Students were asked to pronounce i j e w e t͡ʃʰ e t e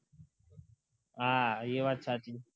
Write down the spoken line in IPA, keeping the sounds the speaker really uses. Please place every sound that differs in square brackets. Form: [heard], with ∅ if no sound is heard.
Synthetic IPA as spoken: [a] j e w [a] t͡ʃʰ [a] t [i]